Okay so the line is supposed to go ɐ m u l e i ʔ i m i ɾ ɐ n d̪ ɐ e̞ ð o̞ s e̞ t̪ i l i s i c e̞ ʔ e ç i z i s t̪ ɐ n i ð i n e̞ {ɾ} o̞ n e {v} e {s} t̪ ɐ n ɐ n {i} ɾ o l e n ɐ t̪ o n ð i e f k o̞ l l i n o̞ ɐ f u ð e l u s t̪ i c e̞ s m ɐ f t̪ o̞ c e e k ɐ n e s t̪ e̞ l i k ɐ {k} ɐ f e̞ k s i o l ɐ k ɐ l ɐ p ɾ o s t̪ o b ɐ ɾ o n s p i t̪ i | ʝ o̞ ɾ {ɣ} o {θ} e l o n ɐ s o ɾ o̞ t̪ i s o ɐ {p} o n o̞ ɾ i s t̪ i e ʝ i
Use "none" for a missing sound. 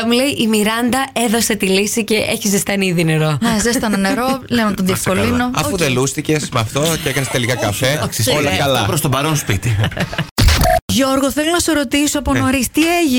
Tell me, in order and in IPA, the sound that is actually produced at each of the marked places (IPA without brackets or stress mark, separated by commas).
ɾ, z, s, e, k, ɣ, θ, p